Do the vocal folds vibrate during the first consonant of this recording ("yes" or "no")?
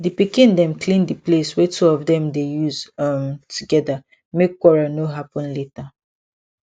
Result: yes